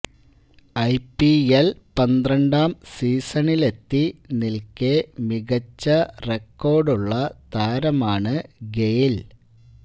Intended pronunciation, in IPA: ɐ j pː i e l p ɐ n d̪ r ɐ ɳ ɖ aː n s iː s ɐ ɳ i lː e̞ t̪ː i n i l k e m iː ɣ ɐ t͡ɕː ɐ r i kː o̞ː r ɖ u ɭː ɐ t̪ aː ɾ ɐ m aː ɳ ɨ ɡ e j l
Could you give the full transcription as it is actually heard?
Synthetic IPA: ɐ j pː i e l p ɐ n d̪ r ɐ ɳ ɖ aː m s iː s ɐ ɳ i l e̞ t̪ː i n i l k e m i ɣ ɐ t͡ɕː ɐ r e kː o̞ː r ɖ u ɭː ɐ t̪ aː ɾ ɐ m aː ɳ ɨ ɡ e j l